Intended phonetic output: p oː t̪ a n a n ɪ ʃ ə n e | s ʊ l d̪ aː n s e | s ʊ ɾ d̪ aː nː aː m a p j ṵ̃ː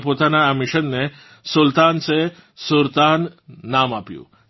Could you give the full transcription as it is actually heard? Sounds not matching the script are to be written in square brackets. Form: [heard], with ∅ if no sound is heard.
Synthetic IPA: p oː t̪ a n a [m] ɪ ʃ ə [nː] e | s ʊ l [t̪] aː n s e | s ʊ ɾ [t̪] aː nː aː m a p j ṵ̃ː